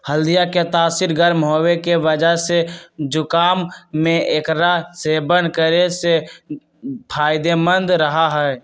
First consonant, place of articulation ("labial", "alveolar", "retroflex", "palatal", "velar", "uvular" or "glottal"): glottal